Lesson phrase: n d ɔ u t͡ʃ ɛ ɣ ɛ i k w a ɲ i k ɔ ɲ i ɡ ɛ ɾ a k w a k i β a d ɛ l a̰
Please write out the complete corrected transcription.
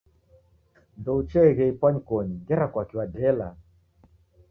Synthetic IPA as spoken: n d ɔ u t͡ʃ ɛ ɣ ɛ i p w a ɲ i k ɔ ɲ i ɡ ɛ ɾ a k w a k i w a d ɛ l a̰